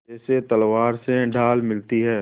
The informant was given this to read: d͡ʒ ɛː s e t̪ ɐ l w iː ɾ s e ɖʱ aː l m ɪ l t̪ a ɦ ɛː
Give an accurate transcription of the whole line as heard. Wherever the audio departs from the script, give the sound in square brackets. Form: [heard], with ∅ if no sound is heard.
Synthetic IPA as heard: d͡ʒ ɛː s e t̪ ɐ l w [aː] ɾ s e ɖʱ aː l m ɪ l t̪ [i] ɦ ɛː